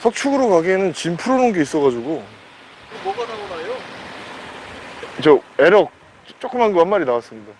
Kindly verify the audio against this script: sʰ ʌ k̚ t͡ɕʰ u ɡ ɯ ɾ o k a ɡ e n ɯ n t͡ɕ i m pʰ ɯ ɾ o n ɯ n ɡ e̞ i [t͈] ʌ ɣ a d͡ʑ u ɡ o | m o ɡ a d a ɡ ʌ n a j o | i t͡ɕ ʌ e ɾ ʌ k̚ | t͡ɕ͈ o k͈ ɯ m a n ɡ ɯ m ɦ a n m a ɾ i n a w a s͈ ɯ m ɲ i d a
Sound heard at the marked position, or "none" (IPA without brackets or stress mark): s͈